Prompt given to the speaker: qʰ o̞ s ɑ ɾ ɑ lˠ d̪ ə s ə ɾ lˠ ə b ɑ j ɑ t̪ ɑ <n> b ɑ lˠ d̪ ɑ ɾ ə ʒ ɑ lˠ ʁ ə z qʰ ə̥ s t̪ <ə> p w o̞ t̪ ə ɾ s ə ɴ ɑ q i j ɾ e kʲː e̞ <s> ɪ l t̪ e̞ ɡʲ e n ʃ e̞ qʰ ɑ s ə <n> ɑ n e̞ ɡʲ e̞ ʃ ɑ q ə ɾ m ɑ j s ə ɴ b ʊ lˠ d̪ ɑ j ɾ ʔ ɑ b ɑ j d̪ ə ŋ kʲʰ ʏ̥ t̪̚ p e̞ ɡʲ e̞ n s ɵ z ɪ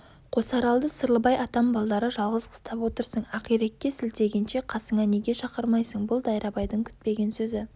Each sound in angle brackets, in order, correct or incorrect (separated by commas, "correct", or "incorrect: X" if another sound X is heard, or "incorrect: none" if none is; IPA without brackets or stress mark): incorrect: m, incorrect: ɑ, correct, incorrect: ɴ